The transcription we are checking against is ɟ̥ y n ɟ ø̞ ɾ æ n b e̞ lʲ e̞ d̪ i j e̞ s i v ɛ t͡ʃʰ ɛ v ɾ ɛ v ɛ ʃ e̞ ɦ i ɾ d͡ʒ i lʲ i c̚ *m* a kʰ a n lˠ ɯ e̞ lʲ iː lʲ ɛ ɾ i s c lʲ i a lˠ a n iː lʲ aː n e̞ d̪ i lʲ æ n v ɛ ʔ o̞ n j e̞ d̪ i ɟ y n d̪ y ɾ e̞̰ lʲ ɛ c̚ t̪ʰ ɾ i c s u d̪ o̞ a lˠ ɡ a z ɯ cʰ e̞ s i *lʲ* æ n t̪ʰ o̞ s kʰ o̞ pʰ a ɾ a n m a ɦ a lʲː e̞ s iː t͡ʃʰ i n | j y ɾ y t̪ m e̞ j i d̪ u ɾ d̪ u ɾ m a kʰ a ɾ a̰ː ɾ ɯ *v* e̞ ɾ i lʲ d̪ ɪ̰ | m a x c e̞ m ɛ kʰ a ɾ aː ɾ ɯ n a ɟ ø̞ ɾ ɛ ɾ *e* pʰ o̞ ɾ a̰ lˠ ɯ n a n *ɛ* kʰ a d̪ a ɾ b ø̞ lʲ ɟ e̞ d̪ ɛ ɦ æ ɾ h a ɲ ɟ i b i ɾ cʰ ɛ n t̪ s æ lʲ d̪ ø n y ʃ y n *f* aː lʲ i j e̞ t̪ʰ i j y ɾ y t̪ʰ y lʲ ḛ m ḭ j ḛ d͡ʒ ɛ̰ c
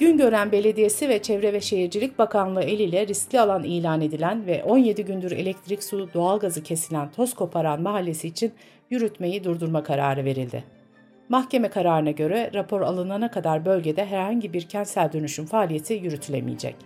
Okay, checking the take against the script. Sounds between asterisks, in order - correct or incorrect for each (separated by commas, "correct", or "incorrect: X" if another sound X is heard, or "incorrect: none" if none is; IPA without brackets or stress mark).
incorrect: b, correct, correct, incorrect: a, incorrect: a, correct